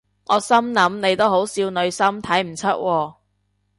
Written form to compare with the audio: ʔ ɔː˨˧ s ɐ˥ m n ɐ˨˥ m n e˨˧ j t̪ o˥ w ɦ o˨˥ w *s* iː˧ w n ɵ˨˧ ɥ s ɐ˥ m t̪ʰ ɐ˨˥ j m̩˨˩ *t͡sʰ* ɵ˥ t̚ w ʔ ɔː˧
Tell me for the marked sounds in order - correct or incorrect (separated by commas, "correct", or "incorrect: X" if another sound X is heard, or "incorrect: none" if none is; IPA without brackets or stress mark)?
correct, correct